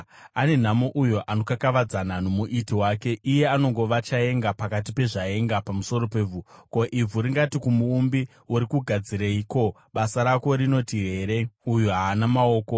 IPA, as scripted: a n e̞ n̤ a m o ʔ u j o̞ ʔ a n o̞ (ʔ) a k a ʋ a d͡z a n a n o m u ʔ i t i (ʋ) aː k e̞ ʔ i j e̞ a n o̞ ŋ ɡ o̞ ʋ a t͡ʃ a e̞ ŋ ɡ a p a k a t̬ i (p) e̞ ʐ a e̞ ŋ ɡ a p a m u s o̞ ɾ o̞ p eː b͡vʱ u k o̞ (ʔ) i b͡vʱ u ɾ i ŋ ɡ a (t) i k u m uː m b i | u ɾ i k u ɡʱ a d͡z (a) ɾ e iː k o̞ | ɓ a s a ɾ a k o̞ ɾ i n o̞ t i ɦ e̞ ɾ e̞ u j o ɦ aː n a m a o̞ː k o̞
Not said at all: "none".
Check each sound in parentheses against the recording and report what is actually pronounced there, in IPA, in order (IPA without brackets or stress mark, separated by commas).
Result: k, w, p, ʔ, t, i